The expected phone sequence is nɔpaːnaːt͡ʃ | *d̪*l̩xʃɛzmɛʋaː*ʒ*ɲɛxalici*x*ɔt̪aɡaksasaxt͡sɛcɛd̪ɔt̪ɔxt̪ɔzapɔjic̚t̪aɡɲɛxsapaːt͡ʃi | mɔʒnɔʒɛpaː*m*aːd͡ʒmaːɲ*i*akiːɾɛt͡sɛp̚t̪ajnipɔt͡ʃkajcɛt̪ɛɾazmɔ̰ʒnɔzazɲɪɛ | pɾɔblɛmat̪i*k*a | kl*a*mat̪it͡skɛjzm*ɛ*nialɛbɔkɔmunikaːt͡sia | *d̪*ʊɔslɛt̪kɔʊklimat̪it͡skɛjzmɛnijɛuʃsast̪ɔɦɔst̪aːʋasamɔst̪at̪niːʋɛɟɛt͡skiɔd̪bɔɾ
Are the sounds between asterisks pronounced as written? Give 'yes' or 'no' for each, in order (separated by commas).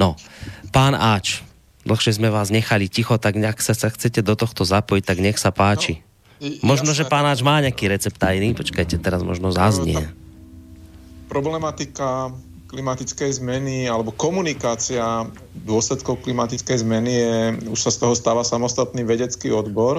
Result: yes, no, yes, no, no, yes, no, yes, yes